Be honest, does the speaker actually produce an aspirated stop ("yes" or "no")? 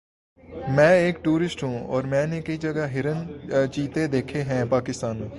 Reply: yes